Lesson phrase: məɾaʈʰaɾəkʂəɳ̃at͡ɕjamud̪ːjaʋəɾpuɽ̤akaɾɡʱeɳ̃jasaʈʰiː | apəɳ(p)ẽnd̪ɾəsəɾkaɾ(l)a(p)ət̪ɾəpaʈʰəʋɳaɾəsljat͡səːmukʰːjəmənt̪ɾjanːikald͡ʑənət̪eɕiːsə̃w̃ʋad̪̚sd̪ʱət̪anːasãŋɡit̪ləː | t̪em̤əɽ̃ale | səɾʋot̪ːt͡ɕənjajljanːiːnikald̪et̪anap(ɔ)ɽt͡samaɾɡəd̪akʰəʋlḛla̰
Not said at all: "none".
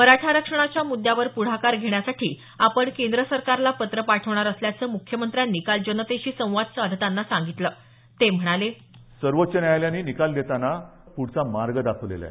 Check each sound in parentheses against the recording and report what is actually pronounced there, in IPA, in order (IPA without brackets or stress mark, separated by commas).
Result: k, l, p, u